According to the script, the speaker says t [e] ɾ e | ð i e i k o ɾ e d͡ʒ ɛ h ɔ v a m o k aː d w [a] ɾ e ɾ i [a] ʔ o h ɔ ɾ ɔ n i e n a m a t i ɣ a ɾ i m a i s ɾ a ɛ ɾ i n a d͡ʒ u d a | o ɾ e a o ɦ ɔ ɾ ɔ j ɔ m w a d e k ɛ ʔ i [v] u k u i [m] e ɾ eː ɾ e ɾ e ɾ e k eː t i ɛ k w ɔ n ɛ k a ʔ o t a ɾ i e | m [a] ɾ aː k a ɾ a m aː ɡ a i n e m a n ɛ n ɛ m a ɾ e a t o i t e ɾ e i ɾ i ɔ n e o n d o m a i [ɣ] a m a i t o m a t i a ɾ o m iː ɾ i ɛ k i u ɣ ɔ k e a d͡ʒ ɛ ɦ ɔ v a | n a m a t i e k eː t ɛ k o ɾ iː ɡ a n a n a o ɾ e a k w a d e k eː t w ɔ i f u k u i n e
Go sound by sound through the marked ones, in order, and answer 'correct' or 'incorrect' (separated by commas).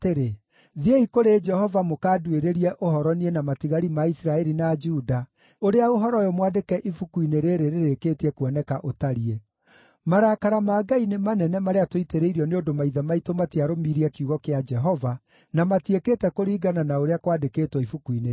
correct, incorrect, incorrect, incorrect, incorrect, correct, incorrect